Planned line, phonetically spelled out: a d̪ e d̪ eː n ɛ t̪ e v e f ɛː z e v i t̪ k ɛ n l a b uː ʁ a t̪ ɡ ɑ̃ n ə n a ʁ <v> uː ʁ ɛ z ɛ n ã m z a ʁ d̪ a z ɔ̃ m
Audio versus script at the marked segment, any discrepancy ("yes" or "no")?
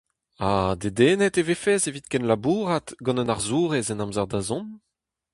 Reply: yes